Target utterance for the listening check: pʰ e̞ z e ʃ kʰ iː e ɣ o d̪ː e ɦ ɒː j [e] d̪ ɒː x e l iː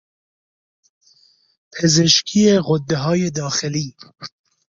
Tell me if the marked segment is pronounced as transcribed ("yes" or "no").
yes